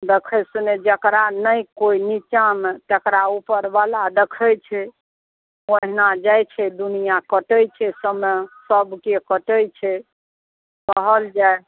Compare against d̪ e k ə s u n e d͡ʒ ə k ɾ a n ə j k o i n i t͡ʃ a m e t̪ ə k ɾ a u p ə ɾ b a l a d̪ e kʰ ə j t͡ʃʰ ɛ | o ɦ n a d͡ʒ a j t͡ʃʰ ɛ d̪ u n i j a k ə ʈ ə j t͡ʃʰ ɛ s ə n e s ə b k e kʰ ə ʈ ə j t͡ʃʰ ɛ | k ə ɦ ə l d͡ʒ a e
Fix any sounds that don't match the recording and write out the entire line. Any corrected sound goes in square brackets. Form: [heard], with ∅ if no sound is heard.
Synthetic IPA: d̪ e [kʰ] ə s u n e d͡ʒ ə k ɾ a n ə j k o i n i t͡ʃ a m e t̪ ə k ɾ a u p ə ɾ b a l a d̪ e kʰ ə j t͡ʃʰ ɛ | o ɦ n a d͡ʒ a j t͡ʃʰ ɛ d̪ u n i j a k ə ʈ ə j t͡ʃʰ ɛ s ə [m] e s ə b k e [k] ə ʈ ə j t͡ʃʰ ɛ | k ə ɦ ə l d͡ʒ a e